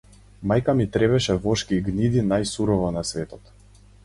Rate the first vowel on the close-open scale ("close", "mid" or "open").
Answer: open